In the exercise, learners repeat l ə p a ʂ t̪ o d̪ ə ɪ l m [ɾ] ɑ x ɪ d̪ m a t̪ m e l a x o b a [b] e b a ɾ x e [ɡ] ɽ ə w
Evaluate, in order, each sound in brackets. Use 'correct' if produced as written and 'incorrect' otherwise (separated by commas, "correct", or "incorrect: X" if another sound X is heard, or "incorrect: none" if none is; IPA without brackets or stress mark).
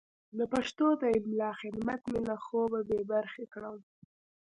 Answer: incorrect: l, correct, incorrect: k